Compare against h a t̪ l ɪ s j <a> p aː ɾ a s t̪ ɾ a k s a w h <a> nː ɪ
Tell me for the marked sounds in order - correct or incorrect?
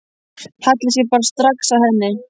incorrect, incorrect

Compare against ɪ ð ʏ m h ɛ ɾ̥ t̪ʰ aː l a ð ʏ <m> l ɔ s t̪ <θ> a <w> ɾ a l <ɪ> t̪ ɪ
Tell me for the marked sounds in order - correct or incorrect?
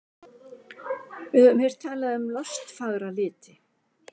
correct, incorrect, incorrect, incorrect

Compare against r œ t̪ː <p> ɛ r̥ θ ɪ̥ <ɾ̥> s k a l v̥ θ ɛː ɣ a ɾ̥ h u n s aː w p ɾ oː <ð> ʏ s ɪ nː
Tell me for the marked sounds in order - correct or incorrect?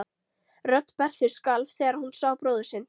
correct, incorrect, correct

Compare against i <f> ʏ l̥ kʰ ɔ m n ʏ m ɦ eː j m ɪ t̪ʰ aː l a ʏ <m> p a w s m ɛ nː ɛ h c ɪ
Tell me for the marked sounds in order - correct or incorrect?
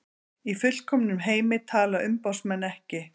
correct, correct

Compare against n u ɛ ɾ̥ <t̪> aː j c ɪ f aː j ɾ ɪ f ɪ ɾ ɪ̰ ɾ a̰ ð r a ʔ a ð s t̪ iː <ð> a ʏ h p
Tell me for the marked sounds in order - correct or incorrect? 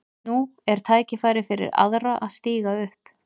incorrect, incorrect

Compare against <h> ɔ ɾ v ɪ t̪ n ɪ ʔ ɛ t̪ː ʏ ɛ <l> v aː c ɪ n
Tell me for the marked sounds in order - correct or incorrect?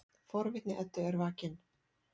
incorrect, incorrect

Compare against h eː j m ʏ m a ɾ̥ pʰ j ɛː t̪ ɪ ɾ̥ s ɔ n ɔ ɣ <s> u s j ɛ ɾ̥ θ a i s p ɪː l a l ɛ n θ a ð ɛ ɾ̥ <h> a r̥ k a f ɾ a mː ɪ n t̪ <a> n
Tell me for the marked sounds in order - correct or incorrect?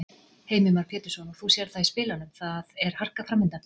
incorrect, correct, correct

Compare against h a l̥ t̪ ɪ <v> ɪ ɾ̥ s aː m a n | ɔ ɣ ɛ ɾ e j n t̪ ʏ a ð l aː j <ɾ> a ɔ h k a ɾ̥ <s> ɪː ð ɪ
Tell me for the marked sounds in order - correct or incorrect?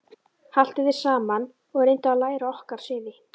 incorrect, correct, correct

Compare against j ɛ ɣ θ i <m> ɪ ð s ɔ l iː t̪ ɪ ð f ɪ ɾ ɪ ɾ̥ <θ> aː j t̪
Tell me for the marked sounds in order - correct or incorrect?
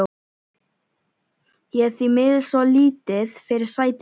correct, incorrect

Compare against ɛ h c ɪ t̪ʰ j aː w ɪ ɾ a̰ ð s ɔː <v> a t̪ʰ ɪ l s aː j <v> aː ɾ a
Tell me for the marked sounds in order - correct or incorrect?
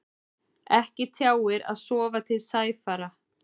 correct, incorrect

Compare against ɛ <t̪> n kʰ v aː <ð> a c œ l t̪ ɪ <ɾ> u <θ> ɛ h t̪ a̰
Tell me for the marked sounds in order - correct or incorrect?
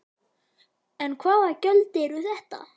incorrect, correct, correct, correct

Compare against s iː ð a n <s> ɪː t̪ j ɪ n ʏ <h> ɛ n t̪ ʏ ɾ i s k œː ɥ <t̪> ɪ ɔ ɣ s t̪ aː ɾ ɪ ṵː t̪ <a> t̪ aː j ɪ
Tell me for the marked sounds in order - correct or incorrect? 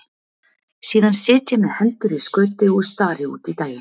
correct, correct, correct, incorrect

